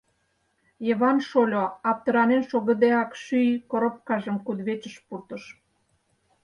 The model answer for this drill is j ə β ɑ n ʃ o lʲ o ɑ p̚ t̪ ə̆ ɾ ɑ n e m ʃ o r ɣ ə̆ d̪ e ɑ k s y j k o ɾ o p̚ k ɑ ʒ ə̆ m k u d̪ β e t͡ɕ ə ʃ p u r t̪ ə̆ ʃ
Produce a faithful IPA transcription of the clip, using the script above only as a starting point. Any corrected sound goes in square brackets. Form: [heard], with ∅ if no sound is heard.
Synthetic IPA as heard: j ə β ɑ n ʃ o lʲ o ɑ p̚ t̪ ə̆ ɾ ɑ n e [n] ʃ o [∅] ɣ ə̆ d̪ e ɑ k [ʃ] y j k o ɾ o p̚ k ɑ ʒ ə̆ m k u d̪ β e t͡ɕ ə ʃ p u r t̪ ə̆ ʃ